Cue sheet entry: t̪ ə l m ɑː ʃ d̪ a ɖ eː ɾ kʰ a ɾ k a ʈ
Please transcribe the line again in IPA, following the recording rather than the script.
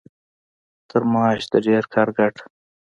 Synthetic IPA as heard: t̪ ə ɾ m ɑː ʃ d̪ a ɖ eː ɾ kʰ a ɾ ɡ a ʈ